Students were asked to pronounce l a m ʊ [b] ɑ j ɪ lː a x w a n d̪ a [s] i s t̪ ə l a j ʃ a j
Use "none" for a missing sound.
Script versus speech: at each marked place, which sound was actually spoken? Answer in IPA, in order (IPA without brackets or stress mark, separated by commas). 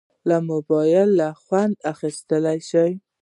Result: b, x